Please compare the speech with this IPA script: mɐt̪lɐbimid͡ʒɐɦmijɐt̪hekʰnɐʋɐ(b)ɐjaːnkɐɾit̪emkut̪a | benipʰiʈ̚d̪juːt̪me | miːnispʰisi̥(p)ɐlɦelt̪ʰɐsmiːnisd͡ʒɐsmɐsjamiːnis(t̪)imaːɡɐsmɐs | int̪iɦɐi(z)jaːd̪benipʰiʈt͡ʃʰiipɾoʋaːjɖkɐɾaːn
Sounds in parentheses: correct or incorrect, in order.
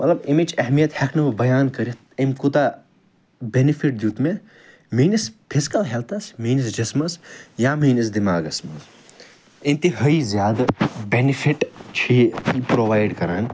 correct, incorrect: k, incorrect: d̪, correct

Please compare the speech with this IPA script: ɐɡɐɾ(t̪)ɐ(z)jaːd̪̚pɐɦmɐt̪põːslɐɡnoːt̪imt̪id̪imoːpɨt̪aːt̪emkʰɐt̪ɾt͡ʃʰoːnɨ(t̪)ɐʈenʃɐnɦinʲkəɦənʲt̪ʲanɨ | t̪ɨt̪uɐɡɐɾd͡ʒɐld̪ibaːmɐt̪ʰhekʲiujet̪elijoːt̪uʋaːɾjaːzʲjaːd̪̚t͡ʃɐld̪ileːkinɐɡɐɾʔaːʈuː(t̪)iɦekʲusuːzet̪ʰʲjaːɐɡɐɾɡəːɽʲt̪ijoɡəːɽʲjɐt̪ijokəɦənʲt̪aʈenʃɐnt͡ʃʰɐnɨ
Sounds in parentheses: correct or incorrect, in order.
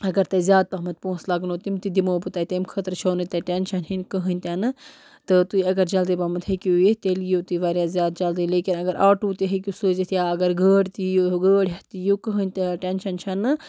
correct, correct, correct, correct

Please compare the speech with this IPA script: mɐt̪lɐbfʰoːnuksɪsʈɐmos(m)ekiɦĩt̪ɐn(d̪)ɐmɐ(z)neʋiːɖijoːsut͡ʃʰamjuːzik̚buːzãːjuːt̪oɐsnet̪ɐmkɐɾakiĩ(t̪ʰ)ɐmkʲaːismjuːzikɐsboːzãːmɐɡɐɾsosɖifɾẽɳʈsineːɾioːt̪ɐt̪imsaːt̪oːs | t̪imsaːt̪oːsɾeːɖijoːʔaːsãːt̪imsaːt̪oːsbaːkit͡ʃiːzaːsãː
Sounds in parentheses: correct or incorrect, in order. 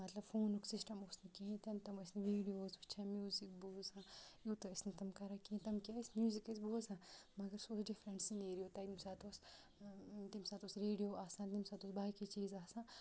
incorrect: n, incorrect: t̪, incorrect: s, incorrect: t̪

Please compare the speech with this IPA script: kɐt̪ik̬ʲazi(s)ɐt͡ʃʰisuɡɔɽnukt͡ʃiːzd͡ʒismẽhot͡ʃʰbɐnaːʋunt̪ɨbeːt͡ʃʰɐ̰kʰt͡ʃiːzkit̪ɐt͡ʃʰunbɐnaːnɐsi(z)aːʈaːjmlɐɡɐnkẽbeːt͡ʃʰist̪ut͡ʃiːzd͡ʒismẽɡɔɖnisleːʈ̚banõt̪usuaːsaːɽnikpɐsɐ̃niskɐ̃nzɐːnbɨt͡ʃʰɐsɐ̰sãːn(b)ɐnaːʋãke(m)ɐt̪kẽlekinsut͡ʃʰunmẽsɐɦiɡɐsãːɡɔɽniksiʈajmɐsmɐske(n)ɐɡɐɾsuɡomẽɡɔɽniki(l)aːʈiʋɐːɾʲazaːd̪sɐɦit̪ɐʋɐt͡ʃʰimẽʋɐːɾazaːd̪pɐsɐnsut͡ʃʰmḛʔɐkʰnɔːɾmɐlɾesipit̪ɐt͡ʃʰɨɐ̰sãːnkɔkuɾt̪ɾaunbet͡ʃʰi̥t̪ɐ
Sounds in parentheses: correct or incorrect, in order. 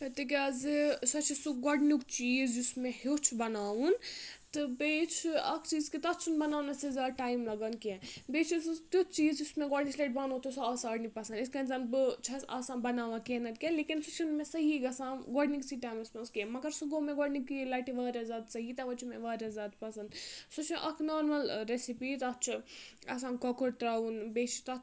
correct, correct, correct, incorrect: n, incorrect: m, correct

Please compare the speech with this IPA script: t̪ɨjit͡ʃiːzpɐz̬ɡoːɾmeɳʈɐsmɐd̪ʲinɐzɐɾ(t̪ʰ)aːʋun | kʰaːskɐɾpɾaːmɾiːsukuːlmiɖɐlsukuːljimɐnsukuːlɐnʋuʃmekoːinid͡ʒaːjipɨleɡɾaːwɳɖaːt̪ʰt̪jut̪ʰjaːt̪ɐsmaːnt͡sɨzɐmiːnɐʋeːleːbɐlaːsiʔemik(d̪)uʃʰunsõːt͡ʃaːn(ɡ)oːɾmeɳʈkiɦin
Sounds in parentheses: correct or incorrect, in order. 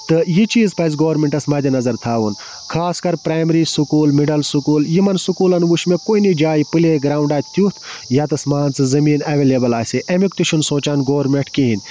correct, incorrect: t̪, correct

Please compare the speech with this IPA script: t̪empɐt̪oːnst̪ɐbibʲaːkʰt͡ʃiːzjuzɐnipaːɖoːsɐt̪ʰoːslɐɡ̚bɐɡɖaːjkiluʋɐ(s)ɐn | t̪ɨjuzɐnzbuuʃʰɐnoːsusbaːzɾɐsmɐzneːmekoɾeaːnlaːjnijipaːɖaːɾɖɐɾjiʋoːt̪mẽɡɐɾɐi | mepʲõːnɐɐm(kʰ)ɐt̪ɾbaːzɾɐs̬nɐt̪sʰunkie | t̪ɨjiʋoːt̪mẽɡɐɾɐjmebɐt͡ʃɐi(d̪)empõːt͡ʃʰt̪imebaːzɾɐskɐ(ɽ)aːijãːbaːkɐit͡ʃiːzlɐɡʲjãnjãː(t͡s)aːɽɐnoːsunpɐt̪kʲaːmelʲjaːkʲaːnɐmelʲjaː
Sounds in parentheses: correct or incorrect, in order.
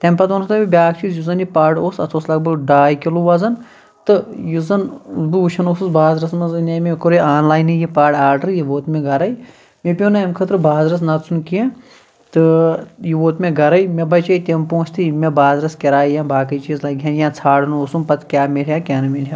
incorrect: z, correct, incorrect: t̪, incorrect: ɾ, incorrect: t͡sʰ

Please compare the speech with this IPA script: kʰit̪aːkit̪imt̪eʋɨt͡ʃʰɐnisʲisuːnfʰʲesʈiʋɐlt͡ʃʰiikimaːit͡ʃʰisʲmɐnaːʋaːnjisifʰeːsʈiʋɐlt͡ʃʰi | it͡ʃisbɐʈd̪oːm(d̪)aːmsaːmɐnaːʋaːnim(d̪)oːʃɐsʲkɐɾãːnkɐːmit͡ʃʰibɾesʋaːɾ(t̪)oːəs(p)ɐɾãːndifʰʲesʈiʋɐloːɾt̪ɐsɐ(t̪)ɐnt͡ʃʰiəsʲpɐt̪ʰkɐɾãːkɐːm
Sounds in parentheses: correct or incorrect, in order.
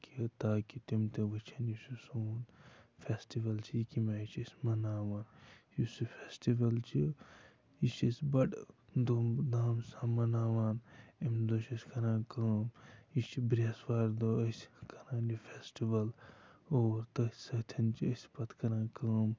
correct, correct, incorrect: d̪, incorrect: k, incorrect: t̪ʰ

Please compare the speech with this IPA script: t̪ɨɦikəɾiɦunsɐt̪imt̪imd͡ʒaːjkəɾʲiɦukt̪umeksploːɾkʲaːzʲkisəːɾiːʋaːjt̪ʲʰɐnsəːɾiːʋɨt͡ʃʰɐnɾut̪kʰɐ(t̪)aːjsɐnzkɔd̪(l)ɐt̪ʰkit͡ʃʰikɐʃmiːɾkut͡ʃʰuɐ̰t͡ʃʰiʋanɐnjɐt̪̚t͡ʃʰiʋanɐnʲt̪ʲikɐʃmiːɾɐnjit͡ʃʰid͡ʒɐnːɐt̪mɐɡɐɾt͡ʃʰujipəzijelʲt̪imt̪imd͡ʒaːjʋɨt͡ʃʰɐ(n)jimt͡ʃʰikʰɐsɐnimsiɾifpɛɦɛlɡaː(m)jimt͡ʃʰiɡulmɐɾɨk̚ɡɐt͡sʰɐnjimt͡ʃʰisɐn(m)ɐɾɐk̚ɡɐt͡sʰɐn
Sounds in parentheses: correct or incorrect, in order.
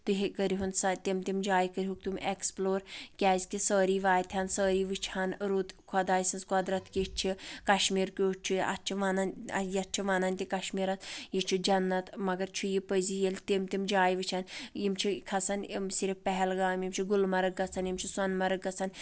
incorrect: d̪, incorrect: ɾ, correct, correct, correct

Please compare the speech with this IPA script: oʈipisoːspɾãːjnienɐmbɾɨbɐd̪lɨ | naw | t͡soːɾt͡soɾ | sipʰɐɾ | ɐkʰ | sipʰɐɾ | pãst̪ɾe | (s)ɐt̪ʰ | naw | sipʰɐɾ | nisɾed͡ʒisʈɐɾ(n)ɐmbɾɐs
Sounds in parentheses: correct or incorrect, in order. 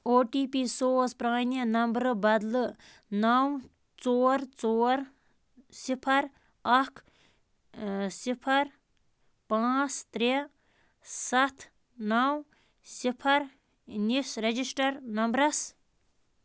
correct, correct

